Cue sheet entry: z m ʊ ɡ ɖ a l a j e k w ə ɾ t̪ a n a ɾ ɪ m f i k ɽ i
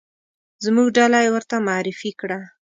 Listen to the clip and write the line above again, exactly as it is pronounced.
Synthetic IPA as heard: z m u ɡ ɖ a l a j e w ə ɾ t̪ a m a ɾ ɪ f i k ɽ a